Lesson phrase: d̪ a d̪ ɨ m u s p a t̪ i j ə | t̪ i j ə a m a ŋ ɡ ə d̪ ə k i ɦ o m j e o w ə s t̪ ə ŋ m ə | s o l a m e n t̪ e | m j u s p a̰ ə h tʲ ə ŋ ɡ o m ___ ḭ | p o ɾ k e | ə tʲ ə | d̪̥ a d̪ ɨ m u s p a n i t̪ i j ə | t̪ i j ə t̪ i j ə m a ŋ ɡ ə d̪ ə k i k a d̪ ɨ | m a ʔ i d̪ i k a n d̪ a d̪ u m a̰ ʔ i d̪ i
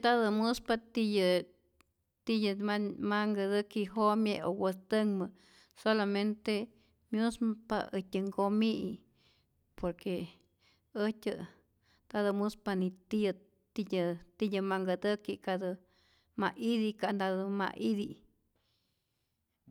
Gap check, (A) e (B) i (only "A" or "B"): B